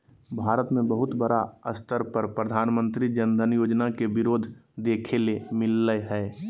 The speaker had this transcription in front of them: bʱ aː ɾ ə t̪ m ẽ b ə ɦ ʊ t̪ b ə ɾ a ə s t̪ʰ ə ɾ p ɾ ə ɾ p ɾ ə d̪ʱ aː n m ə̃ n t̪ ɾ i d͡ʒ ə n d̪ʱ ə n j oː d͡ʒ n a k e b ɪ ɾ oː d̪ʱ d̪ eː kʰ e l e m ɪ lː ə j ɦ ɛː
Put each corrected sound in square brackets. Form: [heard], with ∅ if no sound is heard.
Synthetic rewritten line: bʱ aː ɾ ə t̪ m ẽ b ə ɦ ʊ t̪ b ə ɾ a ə s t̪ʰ ə ɾ p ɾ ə ɾ p ɾ ə d̪ʱ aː n m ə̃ n t̪ ɾ i d͡ʒ ə n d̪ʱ ə n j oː d͡ʒ n a k e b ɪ ɾ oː d̪ʱ d̪ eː kʰ e l e m ɪ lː ə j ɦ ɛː